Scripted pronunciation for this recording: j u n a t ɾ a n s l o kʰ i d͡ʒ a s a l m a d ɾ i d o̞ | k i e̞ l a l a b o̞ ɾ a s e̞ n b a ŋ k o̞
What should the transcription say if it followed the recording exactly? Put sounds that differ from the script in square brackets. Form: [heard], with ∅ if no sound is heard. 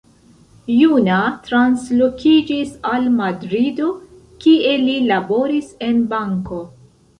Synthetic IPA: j u n a t ɾ a n s l o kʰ i d͡ʒ [i] s a l m a d ɾ i d o̞ | k i e̞ l [i] l a b o̞ ɾ [i] s e̞ n b a ŋ k o̞